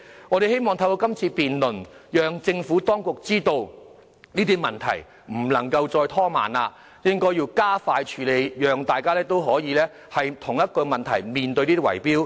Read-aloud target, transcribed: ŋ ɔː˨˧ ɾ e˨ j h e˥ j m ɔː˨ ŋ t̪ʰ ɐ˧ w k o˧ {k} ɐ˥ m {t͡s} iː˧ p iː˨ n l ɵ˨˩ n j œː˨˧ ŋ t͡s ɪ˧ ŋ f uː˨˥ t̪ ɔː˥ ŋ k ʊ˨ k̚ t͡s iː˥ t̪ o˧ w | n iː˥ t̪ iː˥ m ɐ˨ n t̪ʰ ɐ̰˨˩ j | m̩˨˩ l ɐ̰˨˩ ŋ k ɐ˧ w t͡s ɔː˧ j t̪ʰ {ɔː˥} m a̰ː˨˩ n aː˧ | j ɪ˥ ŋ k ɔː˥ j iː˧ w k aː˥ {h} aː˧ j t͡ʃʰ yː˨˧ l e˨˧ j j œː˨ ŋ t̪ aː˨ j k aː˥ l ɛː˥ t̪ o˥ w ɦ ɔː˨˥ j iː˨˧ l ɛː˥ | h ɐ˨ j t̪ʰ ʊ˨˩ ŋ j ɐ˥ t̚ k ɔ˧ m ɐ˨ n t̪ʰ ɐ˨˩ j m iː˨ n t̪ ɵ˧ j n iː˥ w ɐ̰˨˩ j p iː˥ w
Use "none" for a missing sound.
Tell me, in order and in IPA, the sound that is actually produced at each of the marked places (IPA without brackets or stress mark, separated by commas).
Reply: k, t͡sʰ, ɔː˥, f